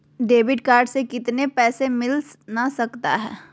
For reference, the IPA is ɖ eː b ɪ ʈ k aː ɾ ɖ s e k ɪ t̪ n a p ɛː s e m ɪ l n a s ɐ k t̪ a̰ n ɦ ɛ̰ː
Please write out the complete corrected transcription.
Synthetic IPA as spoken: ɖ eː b ɪ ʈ k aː ɾ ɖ s e k ɪ t̪ n e p ɛː s e m ɪ l n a s ɐ k t̪ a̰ ɦ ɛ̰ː